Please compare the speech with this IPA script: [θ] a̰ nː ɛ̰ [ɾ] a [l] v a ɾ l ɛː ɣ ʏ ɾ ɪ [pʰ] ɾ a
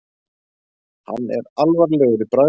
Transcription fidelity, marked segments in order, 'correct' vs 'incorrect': incorrect: h, correct, correct, incorrect: p

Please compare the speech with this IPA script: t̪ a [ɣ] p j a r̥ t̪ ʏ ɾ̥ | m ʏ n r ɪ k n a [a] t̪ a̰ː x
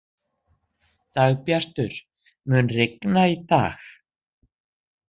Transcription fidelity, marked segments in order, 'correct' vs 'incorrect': correct, incorrect: i

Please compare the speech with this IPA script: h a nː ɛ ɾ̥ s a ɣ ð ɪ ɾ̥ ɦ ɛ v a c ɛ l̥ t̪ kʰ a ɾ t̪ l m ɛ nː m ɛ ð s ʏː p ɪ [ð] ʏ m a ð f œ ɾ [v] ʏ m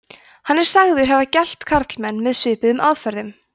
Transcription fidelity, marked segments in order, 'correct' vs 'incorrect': correct, incorrect: ð

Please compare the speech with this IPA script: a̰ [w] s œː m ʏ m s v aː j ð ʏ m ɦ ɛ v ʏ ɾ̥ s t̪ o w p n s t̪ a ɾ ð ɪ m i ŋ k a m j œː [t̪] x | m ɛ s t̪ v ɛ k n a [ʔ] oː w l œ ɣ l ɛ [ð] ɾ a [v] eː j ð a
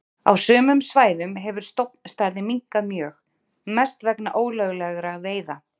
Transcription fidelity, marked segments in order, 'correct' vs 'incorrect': correct, incorrect: none, correct, incorrect: ɣ, correct

